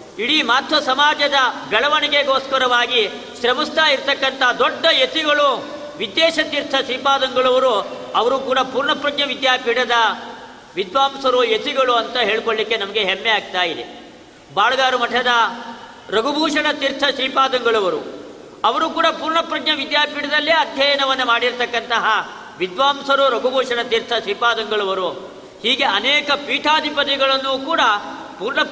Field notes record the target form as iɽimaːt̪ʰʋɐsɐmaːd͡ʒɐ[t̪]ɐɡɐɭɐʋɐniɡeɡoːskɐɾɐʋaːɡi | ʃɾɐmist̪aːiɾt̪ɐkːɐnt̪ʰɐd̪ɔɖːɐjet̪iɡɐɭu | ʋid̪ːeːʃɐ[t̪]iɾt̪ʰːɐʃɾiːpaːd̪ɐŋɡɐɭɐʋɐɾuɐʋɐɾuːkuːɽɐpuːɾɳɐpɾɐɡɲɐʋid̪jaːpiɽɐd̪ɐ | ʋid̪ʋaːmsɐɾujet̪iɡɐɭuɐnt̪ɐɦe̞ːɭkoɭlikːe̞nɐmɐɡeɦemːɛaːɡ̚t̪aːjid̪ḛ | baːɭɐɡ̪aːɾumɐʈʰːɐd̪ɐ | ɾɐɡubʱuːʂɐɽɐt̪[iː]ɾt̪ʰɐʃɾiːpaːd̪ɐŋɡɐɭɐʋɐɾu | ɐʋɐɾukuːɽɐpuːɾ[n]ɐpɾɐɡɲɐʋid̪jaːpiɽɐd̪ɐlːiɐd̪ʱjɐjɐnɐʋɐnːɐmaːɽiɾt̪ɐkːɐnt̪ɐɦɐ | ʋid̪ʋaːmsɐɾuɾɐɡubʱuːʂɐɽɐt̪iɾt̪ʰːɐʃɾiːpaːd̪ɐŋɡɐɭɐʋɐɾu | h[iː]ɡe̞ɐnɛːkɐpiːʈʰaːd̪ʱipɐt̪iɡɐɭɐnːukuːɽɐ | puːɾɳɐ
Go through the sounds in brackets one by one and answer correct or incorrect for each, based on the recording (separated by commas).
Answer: incorrect, correct, incorrect, incorrect, correct